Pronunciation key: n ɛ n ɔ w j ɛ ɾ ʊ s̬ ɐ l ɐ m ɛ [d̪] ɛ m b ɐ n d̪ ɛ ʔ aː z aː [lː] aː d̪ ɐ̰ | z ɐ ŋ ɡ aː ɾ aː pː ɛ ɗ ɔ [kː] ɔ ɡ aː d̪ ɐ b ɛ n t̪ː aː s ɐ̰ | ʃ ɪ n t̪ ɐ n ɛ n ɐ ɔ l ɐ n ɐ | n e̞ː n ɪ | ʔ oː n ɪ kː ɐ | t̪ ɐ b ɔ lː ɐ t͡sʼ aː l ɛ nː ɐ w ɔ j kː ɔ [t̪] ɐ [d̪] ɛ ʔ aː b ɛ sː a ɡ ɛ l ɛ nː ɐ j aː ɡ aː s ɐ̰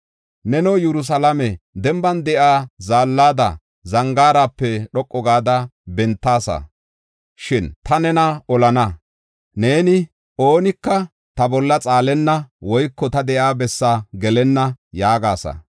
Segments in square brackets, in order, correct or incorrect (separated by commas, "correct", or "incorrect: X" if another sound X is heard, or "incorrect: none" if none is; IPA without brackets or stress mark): correct, correct, incorrect: kʼː, correct, correct